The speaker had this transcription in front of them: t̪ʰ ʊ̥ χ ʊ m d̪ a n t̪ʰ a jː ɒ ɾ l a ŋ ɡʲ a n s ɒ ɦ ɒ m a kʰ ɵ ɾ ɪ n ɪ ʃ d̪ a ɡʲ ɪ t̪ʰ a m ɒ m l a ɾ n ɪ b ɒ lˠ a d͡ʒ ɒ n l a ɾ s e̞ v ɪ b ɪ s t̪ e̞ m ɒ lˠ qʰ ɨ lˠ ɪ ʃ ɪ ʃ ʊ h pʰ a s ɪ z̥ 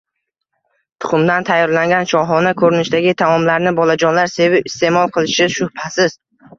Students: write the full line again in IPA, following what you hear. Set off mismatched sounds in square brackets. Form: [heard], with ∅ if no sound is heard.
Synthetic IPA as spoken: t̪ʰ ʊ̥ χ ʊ m d̪ a n t̪ʰ a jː ɒ ɾ l a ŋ ɡʲ a n [ʃ] ɒ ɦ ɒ [n] a kʰ ɵ ɾ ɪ n ɪ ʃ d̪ a ɡʲ ɪ t̪ʰ a m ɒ m l a ɾ n ɪ b ɒ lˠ a d͡ʒ ɒ n l a ɾ s e̞ v ɪ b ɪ s t̪ e̞ m ɒ lˠ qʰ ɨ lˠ ɪ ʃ ɪ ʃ ʊ h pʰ a s ɪ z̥